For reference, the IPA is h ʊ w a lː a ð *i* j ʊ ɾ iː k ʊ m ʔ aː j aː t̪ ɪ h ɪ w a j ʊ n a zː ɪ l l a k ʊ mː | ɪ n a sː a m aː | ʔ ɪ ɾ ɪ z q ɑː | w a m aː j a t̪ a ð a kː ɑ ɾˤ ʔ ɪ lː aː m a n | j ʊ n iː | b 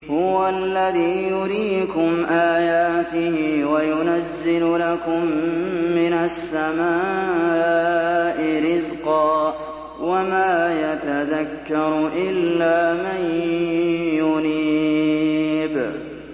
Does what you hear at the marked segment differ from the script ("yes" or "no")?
yes